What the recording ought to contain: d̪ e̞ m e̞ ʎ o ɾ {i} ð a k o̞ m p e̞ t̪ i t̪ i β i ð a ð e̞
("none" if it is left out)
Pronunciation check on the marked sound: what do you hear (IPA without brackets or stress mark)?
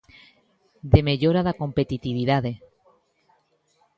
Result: a